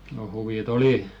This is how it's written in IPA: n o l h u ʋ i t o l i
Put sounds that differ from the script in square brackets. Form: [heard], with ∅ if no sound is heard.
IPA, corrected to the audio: n o [∅] h u ʋ i t o l i